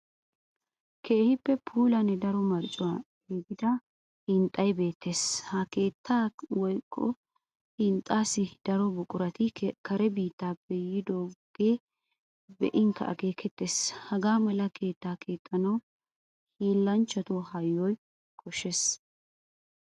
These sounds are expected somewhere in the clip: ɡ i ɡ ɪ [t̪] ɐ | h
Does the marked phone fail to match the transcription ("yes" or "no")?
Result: yes